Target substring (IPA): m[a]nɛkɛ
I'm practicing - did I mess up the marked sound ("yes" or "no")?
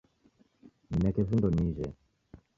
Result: yes